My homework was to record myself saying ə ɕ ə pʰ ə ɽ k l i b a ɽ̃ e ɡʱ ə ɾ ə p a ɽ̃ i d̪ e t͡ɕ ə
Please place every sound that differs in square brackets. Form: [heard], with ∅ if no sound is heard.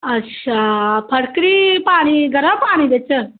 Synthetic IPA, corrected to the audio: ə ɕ [a] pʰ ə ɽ k [ɾ] i [p] a ɽ̃ [i] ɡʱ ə ɾ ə p a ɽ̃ i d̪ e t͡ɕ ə